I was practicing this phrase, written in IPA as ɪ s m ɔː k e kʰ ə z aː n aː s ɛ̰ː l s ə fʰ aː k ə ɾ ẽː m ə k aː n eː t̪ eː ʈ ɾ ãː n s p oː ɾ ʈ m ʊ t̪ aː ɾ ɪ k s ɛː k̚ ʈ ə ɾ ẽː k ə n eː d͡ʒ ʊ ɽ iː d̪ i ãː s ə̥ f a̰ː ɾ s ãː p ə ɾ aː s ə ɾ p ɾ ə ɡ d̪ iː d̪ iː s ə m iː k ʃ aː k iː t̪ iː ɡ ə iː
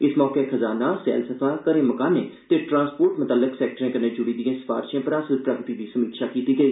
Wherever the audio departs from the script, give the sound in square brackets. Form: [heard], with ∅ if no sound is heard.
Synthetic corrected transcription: ɪ s m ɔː k e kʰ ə z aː n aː s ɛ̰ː l s ə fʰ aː k ə ɾ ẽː m ə k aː n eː t̪ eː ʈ ɾ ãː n s p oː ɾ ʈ m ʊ t̪ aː [l] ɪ k s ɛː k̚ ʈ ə ɾ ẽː k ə n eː d͡ʒ ʊ ɽ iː d̪ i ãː s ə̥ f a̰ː ɾ [ʃ] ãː p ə ɾ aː s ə [l] p ɾ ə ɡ [t̪] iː d̪ iː s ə m iː k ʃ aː k iː t̪ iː ɡ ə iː

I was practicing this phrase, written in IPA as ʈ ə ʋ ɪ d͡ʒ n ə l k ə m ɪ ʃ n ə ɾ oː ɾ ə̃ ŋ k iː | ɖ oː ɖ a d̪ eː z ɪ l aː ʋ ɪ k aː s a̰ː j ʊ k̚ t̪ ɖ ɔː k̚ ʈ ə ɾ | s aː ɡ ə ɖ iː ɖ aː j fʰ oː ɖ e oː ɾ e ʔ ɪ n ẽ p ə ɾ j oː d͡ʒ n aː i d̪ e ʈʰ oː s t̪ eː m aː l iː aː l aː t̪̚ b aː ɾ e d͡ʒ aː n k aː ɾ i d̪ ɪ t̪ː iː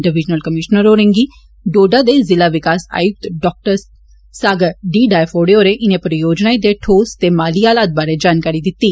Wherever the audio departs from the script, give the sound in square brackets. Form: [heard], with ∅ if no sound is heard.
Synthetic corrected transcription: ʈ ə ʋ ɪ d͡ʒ n ə l k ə m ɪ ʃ n ə ɾ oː ɾ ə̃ ŋ [ɡ] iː | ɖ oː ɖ a d̪ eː z ɪ l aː ʋ ɪ k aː s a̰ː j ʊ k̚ t̪ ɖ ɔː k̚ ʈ ə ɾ | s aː ɡ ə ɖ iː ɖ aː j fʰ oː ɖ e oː ɾ e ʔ ɪ n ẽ p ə ɾ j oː d͡ʒ n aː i d̪ e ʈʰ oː s t̪ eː m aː l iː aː l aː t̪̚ b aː ɾ e d͡ʒ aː n k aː ɾ i d̪ ɪ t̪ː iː

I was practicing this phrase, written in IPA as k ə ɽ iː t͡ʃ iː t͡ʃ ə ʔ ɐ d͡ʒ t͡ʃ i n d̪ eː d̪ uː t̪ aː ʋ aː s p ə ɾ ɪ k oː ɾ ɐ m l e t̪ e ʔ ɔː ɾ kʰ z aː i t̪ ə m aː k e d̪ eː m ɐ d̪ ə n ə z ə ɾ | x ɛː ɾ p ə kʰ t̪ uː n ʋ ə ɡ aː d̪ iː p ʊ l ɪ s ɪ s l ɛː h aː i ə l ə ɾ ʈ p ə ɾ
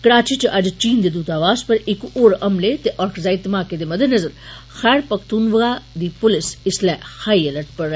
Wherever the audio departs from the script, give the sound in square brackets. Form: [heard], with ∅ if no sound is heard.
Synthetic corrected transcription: k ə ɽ [aː] t͡ʃ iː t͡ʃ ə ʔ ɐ d͡ʒ t͡ʃ [iː] n d̪ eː d̪ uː t̪ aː ʋ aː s p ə ɾ ɪ k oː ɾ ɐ m l e t̪ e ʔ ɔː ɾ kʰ z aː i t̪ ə m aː k e d̪ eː m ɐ d̪ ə n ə z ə ɾ | x ɛː ɾ p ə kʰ t̪ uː n ʋ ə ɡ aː d̪ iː p ʊ l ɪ s ɪ s l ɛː h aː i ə l ə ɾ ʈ p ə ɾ

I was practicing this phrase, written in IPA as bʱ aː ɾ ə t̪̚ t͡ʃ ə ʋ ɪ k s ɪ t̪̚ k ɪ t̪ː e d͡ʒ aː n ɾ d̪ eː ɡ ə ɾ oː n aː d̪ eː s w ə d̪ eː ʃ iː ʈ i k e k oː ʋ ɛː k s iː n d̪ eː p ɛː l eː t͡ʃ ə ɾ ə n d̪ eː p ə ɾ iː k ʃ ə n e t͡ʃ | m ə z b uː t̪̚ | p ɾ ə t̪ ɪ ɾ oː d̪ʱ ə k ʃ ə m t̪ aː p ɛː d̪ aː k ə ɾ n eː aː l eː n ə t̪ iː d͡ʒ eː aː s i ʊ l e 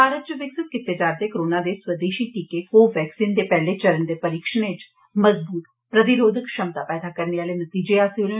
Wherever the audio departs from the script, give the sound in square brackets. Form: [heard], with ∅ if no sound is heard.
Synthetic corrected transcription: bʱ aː ɾ ə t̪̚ t͡ʃ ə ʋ ɪ k s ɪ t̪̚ k ɪ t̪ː e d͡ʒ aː [∅] ɾ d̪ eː [k] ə ɾ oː n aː d̪ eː s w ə d̪ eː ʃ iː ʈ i k e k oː ʋ ɛː k s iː n d̪ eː p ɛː l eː t͡ʃ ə ɾ ə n d̪ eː p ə ɾ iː k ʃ ə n e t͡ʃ | m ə z b uː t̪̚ | p ɾ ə t̪ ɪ ɾ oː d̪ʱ ə k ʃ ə m t̪ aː p ɛː d̪ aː k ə ɾ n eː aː l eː n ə t̪ iː d͡ʒ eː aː s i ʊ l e

